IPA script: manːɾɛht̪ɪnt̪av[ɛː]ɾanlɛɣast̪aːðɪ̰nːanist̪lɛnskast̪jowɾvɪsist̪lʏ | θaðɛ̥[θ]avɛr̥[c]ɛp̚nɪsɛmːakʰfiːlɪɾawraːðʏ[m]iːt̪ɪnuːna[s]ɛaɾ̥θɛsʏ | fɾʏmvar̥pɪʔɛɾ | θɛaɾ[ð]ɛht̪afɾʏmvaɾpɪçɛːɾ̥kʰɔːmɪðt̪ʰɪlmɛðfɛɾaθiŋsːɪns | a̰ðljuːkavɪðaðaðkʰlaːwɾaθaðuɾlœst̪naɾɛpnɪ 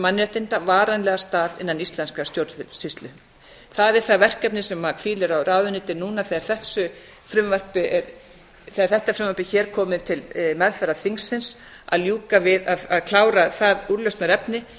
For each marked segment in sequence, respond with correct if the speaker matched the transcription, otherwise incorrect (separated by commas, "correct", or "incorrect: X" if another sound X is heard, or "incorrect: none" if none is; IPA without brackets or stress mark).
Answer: incorrect: aː, correct, incorrect: k, incorrect: n, incorrect: θ, incorrect: θ